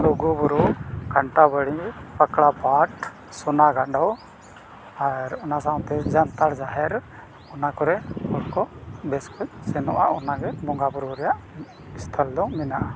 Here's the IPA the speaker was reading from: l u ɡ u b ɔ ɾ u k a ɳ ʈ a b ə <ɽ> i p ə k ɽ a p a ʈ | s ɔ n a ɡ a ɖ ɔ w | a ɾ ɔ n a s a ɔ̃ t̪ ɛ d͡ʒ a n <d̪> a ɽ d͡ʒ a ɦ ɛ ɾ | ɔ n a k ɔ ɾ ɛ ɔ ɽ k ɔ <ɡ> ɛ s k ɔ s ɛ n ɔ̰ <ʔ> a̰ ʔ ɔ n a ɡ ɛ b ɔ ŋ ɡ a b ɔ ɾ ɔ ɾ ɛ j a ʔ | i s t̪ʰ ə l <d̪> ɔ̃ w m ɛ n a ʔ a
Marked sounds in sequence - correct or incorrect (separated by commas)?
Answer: correct, incorrect, incorrect, correct, correct